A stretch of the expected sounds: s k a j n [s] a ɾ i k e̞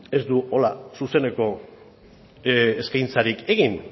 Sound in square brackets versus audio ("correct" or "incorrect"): incorrect